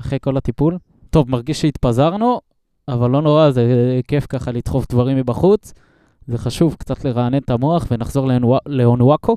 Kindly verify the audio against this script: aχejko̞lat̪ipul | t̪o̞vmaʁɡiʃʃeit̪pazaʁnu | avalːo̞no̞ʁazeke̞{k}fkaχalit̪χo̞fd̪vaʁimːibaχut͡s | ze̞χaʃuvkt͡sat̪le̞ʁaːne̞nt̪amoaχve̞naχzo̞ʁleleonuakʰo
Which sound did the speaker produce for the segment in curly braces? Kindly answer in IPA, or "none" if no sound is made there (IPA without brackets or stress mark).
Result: none